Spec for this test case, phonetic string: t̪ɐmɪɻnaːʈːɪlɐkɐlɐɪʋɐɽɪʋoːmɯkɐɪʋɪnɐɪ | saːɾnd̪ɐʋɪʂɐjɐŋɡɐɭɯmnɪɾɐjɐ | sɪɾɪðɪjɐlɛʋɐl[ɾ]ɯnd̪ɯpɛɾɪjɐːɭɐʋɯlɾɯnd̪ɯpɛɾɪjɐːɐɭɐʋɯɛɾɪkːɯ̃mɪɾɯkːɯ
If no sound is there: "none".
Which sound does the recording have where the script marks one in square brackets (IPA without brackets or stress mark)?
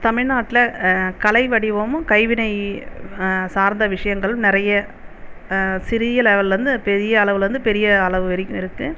ɾ